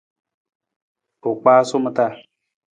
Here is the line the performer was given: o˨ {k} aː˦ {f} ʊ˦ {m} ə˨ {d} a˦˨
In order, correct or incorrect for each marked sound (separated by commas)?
incorrect, incorrect, correct, incorrect